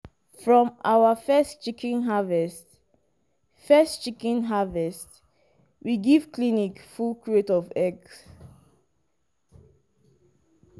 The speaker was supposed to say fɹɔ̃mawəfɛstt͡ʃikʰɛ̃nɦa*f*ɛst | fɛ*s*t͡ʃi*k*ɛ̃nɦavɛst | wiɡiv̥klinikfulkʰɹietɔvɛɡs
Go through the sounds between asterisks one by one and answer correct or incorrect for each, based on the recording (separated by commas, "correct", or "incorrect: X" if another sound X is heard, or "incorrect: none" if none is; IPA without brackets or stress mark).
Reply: incorrect: v, correct, correct